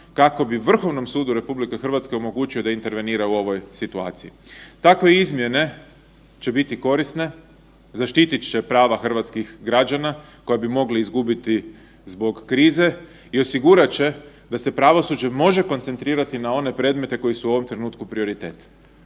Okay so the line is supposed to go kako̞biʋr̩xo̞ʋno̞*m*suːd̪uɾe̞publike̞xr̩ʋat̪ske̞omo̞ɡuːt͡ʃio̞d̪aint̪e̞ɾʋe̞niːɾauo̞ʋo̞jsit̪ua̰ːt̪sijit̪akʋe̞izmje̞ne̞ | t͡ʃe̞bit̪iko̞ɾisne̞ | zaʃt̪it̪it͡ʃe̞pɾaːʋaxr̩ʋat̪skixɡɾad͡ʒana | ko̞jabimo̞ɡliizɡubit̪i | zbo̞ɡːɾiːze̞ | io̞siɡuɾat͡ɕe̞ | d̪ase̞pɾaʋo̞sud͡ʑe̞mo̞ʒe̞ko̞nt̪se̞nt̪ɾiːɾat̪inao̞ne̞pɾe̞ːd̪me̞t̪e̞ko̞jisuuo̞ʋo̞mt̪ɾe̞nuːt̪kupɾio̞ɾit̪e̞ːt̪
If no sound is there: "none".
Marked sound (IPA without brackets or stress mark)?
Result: m